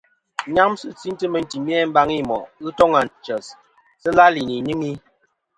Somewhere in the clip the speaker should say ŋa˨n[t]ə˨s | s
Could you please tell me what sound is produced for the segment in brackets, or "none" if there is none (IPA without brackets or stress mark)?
t͡ʃ